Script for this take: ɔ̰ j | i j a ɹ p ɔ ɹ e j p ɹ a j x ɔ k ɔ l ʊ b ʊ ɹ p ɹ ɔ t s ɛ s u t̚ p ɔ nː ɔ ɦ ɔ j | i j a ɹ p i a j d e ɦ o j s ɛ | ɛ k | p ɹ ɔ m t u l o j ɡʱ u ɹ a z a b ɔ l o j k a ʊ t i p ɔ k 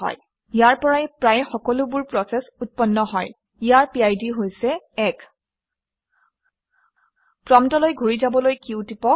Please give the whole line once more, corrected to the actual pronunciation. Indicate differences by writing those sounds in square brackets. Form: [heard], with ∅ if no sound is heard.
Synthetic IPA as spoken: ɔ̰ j | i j a ɹ p ɔ ɹ [a] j p ɹ a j x ɔ k ɔ l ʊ b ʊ ɹ p ɹ ɔ [∅] s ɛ s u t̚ p ɔ nː ɔ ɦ ɔ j | i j a ɹ p i a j d [i] ɦ o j s ɛ | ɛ k | p ɹ ɔ m t [ɔ] l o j ɡʱ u ɹ [i] z a b ɔ l o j k [i] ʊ t i p ɔ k

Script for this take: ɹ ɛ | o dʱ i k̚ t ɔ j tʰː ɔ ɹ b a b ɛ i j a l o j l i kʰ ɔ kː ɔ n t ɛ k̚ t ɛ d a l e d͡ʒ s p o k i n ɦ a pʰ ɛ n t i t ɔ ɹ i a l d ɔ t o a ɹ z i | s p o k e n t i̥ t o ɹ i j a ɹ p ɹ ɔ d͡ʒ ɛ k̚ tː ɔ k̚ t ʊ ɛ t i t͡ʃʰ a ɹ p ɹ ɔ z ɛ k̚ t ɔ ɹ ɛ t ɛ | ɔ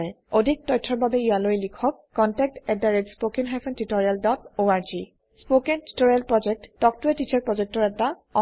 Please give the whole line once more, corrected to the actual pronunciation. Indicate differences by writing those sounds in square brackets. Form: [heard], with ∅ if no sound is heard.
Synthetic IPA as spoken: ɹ ɛ | o dʱ i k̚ t ɔ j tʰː ɔ ɹ b a b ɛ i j a l o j l i kʰ ɔ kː ɔ n t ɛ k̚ t ɛ d a [ɹ] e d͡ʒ s p o k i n ɦ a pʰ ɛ n t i t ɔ ɹ i a l d ɔ t o a ɹ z i | s p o k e n t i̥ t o ɹ i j a [l] p ɹ ɔ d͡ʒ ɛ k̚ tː ɔ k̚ t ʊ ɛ t i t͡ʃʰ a ɹ p ɹ ɔ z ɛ k̚ t ɔ ɹ ɛ t [a] | ɔ

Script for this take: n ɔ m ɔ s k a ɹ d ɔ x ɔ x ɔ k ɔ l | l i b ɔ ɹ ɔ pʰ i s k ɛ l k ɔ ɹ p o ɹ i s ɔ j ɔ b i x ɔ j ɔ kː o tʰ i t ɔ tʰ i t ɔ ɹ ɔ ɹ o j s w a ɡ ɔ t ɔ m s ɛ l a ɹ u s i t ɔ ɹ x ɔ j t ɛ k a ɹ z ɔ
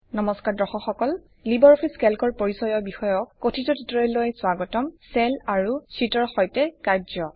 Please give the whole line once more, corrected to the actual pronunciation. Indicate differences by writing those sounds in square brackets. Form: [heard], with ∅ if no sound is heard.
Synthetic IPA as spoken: n ɔ m ɔ s k a ɹ d ɔ x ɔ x ɔ k ɔ l | l i b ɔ ɹ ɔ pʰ i s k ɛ l k ɔ ɹ p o ɹ i s ɔ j ɔ b i x ɔ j ɔ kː o tʰ i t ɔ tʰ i t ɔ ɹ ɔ [l] o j s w a ɡ ɔ t ɔ m s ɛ l a ɹ u s i t ɔ ɹ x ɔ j t ɛ k a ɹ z ɔ

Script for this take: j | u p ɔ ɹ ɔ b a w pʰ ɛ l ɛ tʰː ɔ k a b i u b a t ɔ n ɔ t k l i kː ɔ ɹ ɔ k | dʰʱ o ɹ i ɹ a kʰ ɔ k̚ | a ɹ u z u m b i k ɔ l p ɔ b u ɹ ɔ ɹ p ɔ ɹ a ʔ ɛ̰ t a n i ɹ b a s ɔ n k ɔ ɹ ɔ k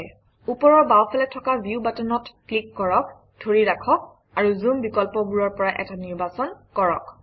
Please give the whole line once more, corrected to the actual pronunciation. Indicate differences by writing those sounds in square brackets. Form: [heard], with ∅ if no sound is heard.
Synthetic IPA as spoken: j | u p ɔ ɹ ɔ b a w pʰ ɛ l ɛ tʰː ɔ k a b i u b a t ɔ n ɔ t k l i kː ɔ ɹ ɔ k | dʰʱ o ɹ i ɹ a kʰ ɔ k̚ | a ɹ u z u m b i k ɔ l p ɔ b u ɹ ɔ ɹ p ɔ ɹ a ʔ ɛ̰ t a n i ɹ b a s ɔ n k ɔ ɹ ɔ k

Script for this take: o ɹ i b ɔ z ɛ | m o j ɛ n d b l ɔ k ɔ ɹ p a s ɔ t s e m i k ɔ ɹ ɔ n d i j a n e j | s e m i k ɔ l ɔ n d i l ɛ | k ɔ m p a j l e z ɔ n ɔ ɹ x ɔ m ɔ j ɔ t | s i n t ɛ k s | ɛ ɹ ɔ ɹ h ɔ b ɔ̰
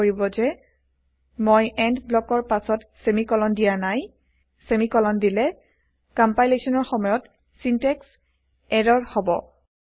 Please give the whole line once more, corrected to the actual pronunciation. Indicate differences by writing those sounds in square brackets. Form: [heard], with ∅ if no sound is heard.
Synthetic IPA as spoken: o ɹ i b ɔ z ɛ | m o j ɛ n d b l ɔ k ɔ ɹ p a s ɔ t s e m i k ɔ [l] ɔ n d i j a n [a] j | s e m i k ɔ l ɔ n d i l ɛ | k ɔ m p a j l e [s] ɔ n ɔ ɹ x ɔ m ɔ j ɔ t | s i n t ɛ k s | ɛ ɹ ɔ ɹ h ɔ b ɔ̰

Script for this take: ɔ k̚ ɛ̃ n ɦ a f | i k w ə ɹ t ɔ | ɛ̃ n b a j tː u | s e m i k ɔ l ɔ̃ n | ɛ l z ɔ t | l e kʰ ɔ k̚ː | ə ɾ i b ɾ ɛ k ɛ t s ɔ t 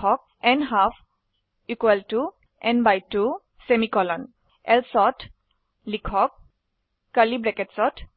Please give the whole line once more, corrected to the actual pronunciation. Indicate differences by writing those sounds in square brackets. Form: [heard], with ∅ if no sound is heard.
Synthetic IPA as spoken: ɔ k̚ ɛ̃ n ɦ a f | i k w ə [l] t [u] | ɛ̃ n b a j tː u | s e m i k ɔ l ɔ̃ n | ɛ l [s] ɔ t | l [i] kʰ ɔ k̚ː | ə [l] i b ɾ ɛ k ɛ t s ɔ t

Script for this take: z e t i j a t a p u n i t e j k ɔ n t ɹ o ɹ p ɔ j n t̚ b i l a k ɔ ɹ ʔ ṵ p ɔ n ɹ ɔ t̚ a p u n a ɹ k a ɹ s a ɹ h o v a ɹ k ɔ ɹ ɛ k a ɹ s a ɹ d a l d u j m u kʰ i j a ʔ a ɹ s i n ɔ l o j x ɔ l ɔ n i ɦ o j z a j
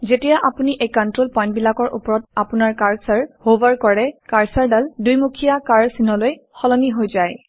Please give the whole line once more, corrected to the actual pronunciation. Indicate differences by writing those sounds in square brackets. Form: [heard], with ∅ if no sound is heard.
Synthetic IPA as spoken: z e t i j a [ʔ] a p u n i [ʔ] e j k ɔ n t ɹ o [l] p ɔ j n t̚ b i l a k ɔ ɹ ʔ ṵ p ɔ [∅] ɹ ɔ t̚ a p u n a ɹ k a ɹ s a ɹ h o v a ɹ k ɔ ɹ ɛ k a ɹ s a ɹ d a l d u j m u kʰ i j a [k] a ɹ s i n ɔ l o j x ɔ l ɔ n i ɦ o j z a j

